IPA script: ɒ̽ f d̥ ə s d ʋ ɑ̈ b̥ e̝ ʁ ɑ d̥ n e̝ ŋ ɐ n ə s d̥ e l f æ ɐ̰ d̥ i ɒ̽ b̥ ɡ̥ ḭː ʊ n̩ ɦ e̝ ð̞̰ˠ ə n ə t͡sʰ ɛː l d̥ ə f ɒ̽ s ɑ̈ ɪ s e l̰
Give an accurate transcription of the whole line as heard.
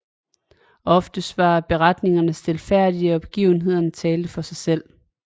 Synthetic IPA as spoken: ɒ̽ f d̥ ə s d ʋ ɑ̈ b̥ e̝ ʁ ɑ d̥ n e̝ ŋ ɐ n ə s d̥ e l f æ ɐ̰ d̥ i ɒ̽ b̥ ɡ̥ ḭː ʊ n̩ ɦ e̝ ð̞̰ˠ ɐ n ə t͡sʰ ɛː l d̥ ə f ɒ̽ s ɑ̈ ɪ s e l̰